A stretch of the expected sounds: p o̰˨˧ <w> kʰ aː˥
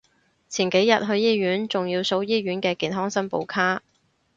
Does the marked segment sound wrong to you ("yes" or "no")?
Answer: no